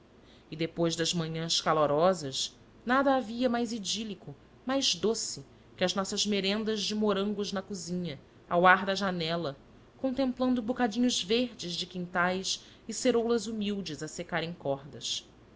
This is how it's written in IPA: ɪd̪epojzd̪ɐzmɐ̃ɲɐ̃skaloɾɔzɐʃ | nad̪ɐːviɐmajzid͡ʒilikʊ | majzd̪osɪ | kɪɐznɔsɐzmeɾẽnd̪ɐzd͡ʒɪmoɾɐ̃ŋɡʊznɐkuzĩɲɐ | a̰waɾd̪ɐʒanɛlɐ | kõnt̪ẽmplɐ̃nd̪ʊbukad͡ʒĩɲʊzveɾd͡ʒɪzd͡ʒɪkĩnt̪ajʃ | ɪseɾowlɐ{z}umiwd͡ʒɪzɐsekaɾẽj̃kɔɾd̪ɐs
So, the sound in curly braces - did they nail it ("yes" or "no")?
yes